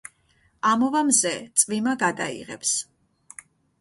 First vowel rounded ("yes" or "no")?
no